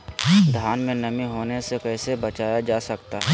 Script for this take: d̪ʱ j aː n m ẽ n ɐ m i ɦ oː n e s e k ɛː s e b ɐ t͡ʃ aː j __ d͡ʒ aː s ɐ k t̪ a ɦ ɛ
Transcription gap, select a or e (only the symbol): a